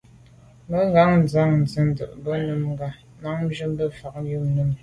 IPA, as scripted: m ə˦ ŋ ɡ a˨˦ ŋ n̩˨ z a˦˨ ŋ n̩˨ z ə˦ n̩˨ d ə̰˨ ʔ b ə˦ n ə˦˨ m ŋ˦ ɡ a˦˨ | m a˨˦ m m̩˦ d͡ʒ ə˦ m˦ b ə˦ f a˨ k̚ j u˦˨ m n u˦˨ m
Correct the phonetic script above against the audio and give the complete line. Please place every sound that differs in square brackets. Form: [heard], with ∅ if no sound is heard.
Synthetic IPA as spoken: m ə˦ ŋ ɡ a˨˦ ŋ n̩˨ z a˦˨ ŋ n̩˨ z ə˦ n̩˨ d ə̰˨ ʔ b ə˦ n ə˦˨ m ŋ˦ ɡ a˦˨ | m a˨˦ [ŋ] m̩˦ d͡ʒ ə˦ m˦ b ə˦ f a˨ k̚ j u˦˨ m n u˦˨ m